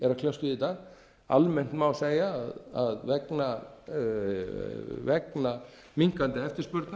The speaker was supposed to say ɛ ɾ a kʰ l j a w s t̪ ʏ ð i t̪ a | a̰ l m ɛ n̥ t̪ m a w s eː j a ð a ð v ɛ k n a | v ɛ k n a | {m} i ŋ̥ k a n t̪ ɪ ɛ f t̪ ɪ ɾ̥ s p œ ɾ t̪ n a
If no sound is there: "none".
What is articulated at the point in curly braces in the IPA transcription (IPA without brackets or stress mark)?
m